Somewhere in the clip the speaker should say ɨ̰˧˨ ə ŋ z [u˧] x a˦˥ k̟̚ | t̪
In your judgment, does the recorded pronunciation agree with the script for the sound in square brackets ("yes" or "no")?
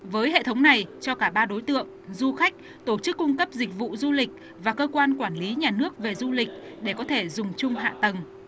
yes